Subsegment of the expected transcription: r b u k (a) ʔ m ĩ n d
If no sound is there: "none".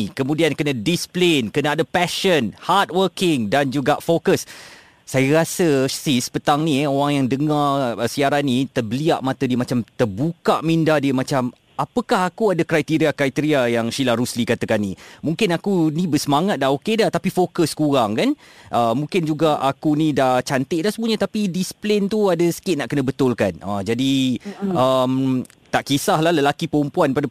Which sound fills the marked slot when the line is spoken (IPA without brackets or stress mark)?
a